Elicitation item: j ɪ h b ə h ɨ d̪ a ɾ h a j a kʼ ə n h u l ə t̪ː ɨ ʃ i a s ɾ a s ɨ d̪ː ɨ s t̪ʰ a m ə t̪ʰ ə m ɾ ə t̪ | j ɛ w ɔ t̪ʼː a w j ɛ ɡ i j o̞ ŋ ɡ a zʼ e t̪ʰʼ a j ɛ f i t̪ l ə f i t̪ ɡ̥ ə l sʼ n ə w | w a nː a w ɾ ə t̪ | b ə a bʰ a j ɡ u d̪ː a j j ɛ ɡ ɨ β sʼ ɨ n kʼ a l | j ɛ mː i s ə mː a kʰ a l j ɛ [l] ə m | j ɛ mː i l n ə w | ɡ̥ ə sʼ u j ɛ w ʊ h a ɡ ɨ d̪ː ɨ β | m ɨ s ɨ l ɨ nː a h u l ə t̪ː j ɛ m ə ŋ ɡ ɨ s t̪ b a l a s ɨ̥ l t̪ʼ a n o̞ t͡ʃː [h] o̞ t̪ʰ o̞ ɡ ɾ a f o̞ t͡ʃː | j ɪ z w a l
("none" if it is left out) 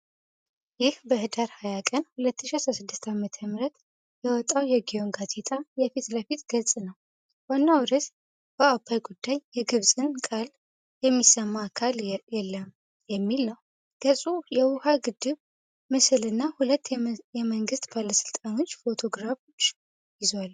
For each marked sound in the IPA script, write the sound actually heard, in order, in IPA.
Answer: lː, f

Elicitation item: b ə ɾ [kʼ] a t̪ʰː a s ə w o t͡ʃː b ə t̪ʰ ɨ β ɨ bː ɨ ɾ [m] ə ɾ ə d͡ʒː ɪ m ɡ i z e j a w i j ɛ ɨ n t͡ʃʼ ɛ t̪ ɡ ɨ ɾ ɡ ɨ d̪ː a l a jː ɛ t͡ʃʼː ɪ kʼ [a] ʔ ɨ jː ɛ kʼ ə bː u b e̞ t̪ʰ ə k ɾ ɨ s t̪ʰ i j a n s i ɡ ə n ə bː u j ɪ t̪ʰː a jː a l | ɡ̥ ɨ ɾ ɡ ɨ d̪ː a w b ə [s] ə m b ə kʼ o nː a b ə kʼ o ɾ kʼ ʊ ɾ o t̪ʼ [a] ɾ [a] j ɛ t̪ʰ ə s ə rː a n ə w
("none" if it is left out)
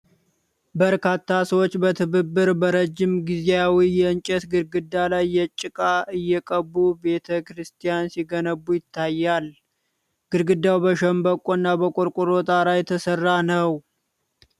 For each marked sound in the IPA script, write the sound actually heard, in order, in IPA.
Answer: k, b, a, ʃ, a, a

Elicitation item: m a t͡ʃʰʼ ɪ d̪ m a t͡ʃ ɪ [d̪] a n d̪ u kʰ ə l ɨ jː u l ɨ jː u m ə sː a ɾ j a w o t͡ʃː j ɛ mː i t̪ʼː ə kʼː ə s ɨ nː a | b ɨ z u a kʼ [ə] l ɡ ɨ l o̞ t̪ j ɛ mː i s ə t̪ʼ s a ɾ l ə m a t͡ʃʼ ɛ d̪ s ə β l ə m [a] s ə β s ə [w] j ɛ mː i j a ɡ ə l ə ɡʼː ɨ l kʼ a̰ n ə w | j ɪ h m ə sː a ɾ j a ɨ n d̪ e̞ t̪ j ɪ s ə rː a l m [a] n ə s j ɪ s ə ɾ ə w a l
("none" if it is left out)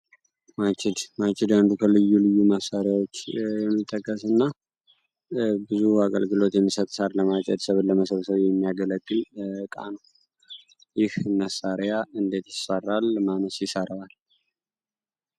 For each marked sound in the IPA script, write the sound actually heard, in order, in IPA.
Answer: d̪, ə, ə, β, a

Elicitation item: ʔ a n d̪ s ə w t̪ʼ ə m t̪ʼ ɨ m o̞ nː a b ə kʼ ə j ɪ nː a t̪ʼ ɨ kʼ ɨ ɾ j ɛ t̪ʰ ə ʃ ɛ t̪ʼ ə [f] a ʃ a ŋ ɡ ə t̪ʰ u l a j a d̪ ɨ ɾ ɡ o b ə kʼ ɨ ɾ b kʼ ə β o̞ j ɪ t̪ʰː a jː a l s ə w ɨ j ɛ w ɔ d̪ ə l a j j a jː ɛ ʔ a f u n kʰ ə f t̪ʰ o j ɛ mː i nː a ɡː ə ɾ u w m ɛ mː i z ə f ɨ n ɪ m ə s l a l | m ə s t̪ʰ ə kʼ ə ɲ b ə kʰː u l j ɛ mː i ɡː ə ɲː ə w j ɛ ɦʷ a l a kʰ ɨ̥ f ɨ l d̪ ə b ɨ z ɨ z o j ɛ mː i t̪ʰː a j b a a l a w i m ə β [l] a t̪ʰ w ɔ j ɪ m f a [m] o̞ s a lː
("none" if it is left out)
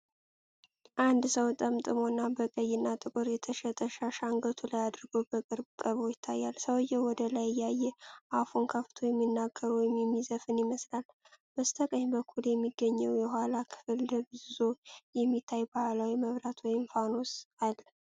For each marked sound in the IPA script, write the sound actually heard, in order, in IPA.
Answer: ʃ, ɾ, n

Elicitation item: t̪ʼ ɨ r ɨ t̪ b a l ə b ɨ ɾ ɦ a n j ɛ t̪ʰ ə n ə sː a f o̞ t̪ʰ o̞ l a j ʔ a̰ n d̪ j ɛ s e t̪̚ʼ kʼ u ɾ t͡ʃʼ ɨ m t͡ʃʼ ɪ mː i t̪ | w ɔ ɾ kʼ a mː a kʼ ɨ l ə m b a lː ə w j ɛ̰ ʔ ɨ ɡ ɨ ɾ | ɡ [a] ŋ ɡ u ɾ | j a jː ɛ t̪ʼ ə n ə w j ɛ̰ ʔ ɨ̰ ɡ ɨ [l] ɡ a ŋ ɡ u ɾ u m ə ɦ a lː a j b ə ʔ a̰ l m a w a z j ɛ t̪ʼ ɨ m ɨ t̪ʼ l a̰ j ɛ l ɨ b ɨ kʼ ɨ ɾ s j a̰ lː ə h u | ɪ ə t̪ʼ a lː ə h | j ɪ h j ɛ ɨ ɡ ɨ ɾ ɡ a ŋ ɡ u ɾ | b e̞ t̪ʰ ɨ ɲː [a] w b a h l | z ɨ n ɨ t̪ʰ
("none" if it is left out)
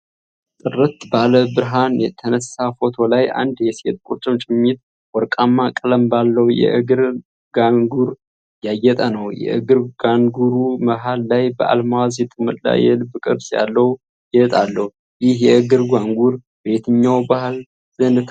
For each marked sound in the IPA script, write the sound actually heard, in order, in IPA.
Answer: a, ɾ, a

